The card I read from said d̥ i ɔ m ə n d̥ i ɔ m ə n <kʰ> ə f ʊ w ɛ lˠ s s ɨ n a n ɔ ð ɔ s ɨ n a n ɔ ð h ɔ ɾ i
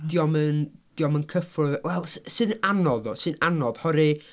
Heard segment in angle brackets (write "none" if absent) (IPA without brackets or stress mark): kʰ